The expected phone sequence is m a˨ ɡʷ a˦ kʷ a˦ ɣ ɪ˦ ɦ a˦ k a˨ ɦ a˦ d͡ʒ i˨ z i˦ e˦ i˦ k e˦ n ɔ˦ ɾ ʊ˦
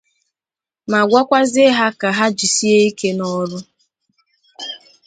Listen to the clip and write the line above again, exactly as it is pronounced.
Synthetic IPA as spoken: m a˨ ɡʷ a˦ kʷ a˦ z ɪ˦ ɦ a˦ k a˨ ɦ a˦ d͡ʒ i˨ s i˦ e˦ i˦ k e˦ n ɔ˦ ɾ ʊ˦